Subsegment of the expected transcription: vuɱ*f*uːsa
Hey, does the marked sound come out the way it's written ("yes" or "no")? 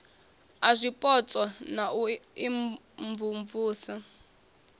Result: no